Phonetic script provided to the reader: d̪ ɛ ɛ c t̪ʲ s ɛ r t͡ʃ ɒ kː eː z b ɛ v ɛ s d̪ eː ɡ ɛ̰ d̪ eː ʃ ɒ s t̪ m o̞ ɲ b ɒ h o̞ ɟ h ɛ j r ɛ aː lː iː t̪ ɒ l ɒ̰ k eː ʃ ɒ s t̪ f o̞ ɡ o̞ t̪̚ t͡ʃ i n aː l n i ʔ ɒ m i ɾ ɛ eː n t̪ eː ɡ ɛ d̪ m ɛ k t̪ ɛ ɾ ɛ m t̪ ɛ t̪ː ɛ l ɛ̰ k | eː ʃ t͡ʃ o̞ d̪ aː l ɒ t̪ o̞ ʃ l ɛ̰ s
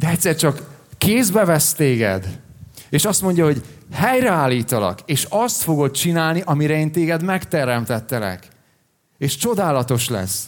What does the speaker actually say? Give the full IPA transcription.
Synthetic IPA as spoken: d̪ ɛ ɛ c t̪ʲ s ɛ r t͡ʃ ɒ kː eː z b ɛ v ɛ s t̪ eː ɡ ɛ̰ d̪ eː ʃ ɒ s t̪ m o̞ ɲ ɟ ɒ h o̞ ɟ h ɛ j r ɛ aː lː iː t̪ ɒ l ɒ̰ k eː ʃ ɒ s t̪ f o̞ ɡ o̞ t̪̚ t͡ʃ i n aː l n i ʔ ɒ m i ɾ ɛ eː n t̪ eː ɡ ɛ d̪ m ɛ k t̪ ɛ ɾ ɛ m t̪ ɛ t̪ː ɛ l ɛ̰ k | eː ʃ t͡ʃ o̞ d̪ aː l ɒ t̪ o̞ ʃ l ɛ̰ s